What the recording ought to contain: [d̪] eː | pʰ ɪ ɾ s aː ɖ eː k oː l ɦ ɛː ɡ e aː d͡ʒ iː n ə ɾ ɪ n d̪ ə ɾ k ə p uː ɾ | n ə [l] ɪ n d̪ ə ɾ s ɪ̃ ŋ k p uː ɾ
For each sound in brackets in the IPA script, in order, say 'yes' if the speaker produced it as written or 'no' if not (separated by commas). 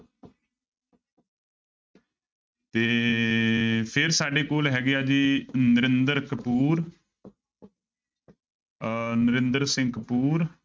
no, no